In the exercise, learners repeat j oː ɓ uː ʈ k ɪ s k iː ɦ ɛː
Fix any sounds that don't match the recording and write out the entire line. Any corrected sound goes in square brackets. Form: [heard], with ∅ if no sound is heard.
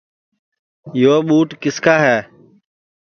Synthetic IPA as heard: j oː ɓ uː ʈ k ɪ s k [aː] ɦ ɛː